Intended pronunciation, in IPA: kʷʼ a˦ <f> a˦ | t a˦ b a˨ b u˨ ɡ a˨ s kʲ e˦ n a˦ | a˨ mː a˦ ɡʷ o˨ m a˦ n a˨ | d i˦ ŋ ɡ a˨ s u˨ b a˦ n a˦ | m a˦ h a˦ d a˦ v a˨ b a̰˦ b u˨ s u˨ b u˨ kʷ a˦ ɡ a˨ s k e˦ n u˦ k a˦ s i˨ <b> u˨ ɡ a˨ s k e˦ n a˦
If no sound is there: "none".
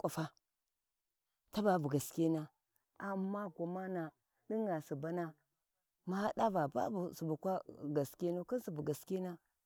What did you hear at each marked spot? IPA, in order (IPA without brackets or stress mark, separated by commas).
f, b